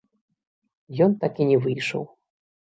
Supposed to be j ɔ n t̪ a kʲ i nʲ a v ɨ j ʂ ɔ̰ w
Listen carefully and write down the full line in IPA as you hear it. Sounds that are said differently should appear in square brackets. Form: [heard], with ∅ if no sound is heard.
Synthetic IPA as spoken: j ɔ n t̪ a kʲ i nʲ [ɛ] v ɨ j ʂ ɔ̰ w